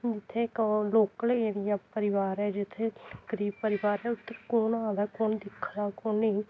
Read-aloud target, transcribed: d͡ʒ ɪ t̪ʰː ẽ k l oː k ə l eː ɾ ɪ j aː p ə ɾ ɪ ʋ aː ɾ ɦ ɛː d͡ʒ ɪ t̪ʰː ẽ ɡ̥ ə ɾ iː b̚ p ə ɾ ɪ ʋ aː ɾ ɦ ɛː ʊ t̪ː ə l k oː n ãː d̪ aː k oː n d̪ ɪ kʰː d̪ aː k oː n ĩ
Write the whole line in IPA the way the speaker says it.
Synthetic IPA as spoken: d͡ʒ ɪ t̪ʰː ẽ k l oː k ə l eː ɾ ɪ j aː p ə ɾ ɪ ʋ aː ɾ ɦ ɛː d͡ʒ ɪ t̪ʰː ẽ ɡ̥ ə ɾ iː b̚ p ə ɾ ɪ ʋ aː ɾ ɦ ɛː ʊ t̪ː ə ɾ k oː n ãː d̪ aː k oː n d̪ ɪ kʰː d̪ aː k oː n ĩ